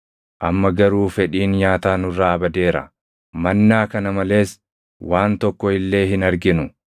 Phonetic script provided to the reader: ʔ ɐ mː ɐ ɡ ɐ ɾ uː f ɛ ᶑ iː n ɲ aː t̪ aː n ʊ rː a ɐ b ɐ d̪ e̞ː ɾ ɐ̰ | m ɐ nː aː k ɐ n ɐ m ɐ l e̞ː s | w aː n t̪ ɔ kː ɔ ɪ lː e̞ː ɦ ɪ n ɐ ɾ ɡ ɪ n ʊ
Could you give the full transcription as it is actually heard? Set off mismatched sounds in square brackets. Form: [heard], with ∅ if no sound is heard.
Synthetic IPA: ʔ ɐ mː ɐ ɡ ɐ ɾ uː f ɛ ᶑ iː n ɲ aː t̪ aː n ʊ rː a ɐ b ɐ d̪ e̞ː ɾ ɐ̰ | m ɐ nː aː k ɐ n ɐ m ɐ l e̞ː s | w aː n t̪ ɔ kː ɔ ɪ lː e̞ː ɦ ɪ n ɐ ɾ ɡ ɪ n ʊ

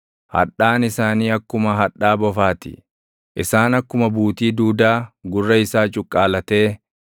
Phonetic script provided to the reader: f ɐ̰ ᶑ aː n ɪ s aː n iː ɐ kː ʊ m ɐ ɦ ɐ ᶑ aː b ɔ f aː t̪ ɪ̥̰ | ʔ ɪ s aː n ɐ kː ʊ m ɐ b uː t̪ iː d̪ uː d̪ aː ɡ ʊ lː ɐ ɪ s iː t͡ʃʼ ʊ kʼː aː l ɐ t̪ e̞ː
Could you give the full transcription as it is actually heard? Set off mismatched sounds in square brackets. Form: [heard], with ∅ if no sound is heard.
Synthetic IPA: [h] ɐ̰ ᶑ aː n ɪ s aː n iː ɐ kː ʊ m ɐ ɦ ɐ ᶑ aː b ɔ f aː t̪ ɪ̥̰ | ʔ ɪ s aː n ɐ kː ʊ m ɐ b uː t̪ iː d̪ uː d̪ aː ɡ ʊ [rː] ɐ ɪ s [aː] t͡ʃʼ ʊ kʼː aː l ɐ t̪ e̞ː

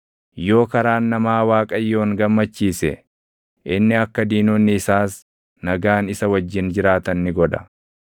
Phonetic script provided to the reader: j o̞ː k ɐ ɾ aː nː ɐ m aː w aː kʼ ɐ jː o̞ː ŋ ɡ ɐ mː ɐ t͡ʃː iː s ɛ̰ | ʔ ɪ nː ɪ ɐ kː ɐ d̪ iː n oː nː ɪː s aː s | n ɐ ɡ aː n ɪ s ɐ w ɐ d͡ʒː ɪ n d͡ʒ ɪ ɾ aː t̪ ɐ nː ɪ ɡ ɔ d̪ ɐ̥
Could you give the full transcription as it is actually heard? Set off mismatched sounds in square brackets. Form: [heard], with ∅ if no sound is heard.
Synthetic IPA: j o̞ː k ɐ ɾ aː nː ɐ m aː w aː kʼ ɐ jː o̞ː ŋ ɡ ɐ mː ɐ t͡ʃː iː s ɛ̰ | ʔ ɪ nː ɪ ɐ kː ɐ d̪ iː n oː nː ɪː s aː s | n ɐ ɡ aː n ɪ s ɐ w ɐ d͡ʒː ɪ n d͡ʒ ɪ ɾ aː t̪ ɐ nː ɪ ɡ ɔ d̪ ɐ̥

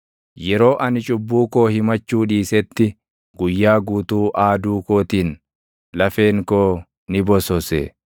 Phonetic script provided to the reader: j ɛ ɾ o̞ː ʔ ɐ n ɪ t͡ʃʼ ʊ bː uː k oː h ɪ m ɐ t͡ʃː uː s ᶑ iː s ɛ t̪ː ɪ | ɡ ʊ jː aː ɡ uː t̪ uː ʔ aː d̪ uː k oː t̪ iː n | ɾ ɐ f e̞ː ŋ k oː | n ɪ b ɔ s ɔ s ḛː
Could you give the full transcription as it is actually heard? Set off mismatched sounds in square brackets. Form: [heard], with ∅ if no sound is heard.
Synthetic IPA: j ɛ ɾ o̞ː ʔ ɐ n ɪ t͡ʃʼ ʊ bː uː k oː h ɪ m ɐ t͡ʃː uː [∅] ᶑ iː s ɛ t̪ː ɪ | ɡ ʊ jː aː ɡ uː t̪ uː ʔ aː d̪ uː k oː t̪ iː n | [l] ɐ f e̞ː ŋ k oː | n ɪ b ɔ s ɔ s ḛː

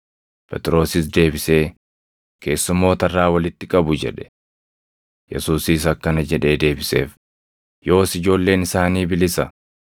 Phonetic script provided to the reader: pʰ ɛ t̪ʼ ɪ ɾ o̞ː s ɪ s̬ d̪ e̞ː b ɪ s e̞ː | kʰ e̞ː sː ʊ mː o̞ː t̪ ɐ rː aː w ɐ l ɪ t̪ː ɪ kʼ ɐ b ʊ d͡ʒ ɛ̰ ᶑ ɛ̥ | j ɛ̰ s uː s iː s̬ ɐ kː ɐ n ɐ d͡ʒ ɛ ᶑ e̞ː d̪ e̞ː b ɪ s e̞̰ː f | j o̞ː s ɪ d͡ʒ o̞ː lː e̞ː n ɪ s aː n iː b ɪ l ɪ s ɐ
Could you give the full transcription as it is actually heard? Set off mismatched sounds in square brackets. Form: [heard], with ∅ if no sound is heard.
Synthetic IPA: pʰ ɛ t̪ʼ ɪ ɾ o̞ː s ɪ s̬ d̪ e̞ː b ɪ s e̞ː | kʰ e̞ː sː ʊ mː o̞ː t̪ ɐ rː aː w ɐ l ɪ t̪ː ɪ kʼ ɐ b ʊ d͡ʒ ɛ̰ ᶑ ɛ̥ | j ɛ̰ s uː s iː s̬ ɐ kː ɐ n ɐ d͡ʒ ɛ ᶑ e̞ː d̪ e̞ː b ɪ s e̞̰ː f | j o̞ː s ɪ d͡ʒ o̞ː lː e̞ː n ɪ s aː n iː b ɪ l ɪ s ɐ

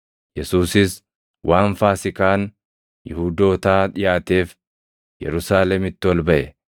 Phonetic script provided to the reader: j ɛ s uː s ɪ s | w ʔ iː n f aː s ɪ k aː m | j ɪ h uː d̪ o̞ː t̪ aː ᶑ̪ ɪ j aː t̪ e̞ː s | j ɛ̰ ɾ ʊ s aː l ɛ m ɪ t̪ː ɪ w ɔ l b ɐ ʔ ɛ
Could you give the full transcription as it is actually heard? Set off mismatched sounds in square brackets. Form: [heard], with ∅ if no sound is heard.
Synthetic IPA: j ɛ s uː s ɪ s | w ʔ [aː] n f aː s ɪ k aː [n] | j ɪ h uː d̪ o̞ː t̪ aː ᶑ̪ ɪ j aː t̪ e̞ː [f] | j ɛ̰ ɾ ʊ s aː l ɛ m ɪ t̪ː ɪ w ɔ l b ɐ ʔ ɛ

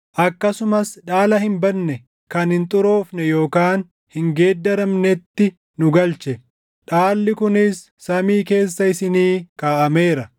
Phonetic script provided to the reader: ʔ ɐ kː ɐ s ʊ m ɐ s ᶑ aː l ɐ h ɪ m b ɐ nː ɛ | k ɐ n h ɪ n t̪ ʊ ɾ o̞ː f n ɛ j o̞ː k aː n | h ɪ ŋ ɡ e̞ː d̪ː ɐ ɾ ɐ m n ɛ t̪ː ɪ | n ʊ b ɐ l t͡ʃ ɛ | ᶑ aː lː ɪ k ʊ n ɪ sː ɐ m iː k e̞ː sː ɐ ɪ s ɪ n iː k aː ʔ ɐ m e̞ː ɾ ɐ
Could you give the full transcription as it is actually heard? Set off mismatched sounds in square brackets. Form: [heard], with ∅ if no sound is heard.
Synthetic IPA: ʔ ɐ kː ɐ s ʊ m ɐ s ᶑ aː l ɐ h ɪ m b ɐ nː ɛ | k ɐ n h ɪ n [t̪ʼ] ʊ ɾ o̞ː f n ɛ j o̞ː k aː n | h ɪ ŋ ɡ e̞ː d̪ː ɐ ɾ ɐ m n ɛ t̪ː ɪ | n ʊ [ɡ] ɐ l t͡ʃ ɛ | ᶑ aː lː ɪ k ʊ n ɪ sː ɐ m iː k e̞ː sː ɐ ɪ s ɪ n iː k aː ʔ ɐ m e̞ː ɾ ɐ

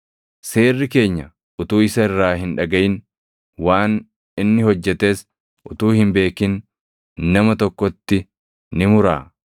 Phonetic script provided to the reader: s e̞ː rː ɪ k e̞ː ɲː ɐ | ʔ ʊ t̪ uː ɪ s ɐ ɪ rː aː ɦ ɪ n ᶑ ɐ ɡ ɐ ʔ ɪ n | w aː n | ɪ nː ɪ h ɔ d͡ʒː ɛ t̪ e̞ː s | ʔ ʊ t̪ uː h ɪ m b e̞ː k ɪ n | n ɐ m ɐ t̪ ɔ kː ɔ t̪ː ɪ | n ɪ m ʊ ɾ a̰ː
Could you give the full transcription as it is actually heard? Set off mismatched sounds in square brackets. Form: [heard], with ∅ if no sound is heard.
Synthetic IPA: s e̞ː rː ɪ k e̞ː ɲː ɐ | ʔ ʊ t̪ uː ɪ s ɐ ɪ rː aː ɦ ɪ n ᶑ ɐ ɡ ɐ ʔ ɪ n | w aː n | ɪ nː ɪ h ɔ d͡ʒː ɛ t̪ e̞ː s | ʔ ʊ t̪ uː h ɪ m b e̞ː k ɪ n | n ɐ m ɐ t̪ ɔ kː ɔ t̪ː ɪ | n ɪ m ʊ ɾ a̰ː

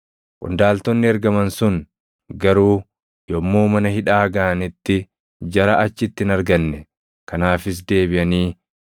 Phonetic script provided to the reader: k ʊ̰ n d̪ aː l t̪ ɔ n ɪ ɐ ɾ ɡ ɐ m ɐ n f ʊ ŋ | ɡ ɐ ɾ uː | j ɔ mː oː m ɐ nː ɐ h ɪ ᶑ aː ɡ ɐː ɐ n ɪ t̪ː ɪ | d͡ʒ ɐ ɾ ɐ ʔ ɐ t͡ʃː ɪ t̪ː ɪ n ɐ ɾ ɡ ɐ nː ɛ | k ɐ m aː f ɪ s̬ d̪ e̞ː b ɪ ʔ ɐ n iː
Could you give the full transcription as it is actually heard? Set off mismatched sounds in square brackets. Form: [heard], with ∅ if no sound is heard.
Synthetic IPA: [kʼ] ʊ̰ n d̪ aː l t̪ ɔ [nː] ɪ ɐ ɾ ɡ ɐ m ɐ n [s] ʊ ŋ | ɡ ɐ ɾ uː | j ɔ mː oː m ɐ [n] ɐ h ɪ ᶑ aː ɡ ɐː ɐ n ɪ t̪ː ɪ | d͡ʒ ɐ ɾ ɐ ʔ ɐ t͡ʃː ɪ t̪ː ɪ n ɐ ɾ ɡ ɐ nː ɛ | k ɐ [n] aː f ɪ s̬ d̪ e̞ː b ɪ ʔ ɐ n iː

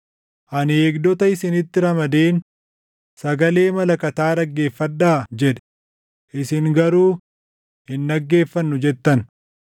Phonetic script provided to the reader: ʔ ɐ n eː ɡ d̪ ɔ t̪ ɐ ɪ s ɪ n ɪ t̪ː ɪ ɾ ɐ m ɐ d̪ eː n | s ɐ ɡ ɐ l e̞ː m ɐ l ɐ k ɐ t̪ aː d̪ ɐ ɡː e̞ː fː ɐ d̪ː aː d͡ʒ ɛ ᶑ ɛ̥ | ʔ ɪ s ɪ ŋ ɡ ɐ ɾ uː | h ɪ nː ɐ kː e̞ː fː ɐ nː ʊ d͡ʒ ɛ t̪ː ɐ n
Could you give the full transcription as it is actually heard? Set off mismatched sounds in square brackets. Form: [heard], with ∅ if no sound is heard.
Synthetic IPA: ʔ ɐ n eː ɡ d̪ ɔ t̪ ɐ ɪ s ɪ n ɪ t̪ː ɪ ɾ ɐ m ɐ d̪ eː n | s ɐ ɡ ɐ l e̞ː m ɐ l ɐ k ɐ t̪ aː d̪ ɐ ɡː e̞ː fː ɐ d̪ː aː d͡ʒ ɛ ᶑ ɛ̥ | ʔ ɪ s ɪ ŋ ɡ ɐ ɾ uː | h ɪ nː ɐ [ɡː] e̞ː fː ɐ nː ʊ d͡ʒ ɛ t̪ː ɐ n

